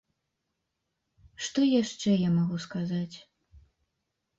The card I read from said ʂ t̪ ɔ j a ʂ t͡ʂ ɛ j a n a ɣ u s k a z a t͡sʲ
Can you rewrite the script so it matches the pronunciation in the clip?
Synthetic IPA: ʂ t̪ ɔ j a ʂ t͡ʂ ɛ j a m a ɣ u s k a z a t͡sʲ

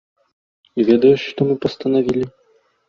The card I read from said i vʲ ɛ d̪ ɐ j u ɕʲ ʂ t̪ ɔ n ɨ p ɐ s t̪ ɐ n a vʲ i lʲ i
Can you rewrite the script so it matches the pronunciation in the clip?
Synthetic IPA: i vʲ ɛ d̪ ɐ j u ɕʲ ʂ t̪ ɔ m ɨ p ɐ s t̪ ɐ n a vʲ i lʲ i

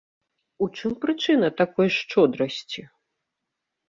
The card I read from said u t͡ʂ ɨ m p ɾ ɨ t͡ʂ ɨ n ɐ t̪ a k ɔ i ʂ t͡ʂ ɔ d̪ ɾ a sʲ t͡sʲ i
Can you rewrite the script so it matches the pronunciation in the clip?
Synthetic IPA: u t͡ʂ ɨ m p ɾ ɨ t͡ʂ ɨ n ɐ t̪ a k ɔ j ʂ t͡ʂ ɔ d̪ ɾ ɐ sʲ t͡sʲ i

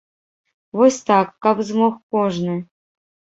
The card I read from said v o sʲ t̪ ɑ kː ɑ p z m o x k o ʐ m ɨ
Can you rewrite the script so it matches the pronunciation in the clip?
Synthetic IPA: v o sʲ t̪ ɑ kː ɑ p z m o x k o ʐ n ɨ

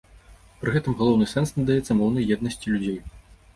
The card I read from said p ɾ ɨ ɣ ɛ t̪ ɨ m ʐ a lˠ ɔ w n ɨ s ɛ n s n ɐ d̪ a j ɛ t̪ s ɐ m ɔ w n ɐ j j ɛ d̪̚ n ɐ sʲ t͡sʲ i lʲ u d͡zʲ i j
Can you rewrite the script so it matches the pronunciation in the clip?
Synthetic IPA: p ɾ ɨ ɣ ɛ t̪ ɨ m ɣ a lˠ ɔ w n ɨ s ɛ n s n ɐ d̪ a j ɛ t̪ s ɐ m ɔ w n ɐ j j ɛ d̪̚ n ɐ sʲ t͡sʲ i lʲ u d͡zʲ e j

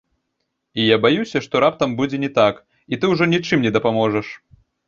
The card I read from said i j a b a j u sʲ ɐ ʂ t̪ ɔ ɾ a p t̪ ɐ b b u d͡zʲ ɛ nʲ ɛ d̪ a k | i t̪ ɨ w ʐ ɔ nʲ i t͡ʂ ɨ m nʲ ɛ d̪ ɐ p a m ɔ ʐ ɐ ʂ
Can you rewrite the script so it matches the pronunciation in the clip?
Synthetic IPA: i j a b a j u sʲ ɐ ʂ t̪ ɔ ɾ a p t̪ ɐ m b u d͡zʲ ɛ nʲ ɛ t̪ a k | i t̪ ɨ w ʐ ɔ nʲ i t͡ʂ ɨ m nʲ ɛ d̪ ɐ p a m ɔ ʐ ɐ ʂ

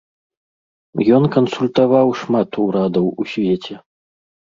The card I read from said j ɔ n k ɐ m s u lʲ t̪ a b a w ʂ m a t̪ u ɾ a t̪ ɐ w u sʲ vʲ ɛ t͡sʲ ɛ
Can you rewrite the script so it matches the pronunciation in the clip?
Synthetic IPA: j ɔ n k ɐ n s u lʲ t̪ a v a w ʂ m a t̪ u ɾ a d̪ ɐ w u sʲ vʲ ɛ t͡sʲ ɛ

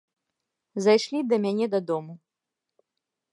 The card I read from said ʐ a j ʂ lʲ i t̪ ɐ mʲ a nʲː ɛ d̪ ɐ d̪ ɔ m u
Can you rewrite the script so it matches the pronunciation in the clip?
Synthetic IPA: z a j ʂ lʲ i d̪ ɐ mʲ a nʲ ɛ d̪ ɐ d̪ ɔ m u

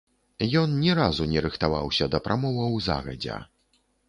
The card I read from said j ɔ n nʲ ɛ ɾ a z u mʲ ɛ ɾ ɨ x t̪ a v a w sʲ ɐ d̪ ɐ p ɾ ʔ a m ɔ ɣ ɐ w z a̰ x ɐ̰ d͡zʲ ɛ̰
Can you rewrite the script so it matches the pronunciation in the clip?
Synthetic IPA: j ɔ n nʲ ɛ ɾ a z u nʲ ɛ ɾ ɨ x t̪ a v a w sʲ ɐ d̪ ɐ p ɾ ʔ a m ɔ v ɐ w z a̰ ɣ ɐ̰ d͡zʲ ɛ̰

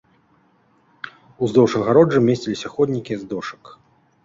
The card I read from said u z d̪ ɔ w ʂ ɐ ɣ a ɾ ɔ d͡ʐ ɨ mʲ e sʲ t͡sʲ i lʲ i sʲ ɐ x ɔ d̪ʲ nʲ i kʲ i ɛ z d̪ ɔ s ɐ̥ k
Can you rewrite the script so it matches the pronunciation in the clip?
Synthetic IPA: u z d̪ ɔ w ʂ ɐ ɣ a ɾ ɔ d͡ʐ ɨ mʲ e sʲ t͡sʲ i lʲ i sʲ ɐ x ɔ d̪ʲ nʲ i kʲ i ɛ z d̪ ɔ ʂ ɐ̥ k

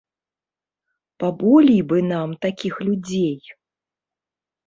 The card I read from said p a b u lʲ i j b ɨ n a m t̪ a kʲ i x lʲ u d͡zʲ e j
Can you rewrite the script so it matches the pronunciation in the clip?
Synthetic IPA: p a b ɔ lʲ i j b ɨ n a m t̪ a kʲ i x lʲ u d͡zʲ e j

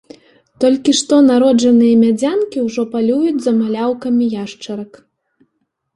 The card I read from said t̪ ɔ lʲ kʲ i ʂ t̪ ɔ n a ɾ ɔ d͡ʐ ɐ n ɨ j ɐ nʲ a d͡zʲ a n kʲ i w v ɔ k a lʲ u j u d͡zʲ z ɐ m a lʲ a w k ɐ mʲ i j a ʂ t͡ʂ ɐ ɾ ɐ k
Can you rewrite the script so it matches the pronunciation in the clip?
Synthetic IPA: t̪ ɔ lʲ kʲ i ʂ t̪ ɔ n a ɾ ɔ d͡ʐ ɐ n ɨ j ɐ mʲ a d͡zʲ a n kʲ i w ʐ ɔ p a lʲ u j u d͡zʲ z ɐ m a lʲ a w k ɐ mʲ i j a ʂ t͡ʂ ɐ ɾ ɐ k

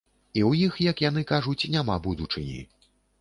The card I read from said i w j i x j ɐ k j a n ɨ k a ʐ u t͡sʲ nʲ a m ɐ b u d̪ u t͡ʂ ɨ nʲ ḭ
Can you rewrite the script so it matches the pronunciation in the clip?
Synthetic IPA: i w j i x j ɐ k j a n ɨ k a ʐ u t͡sʲ nʲ a m a b u d̪ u t͡ʂ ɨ nʲ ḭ

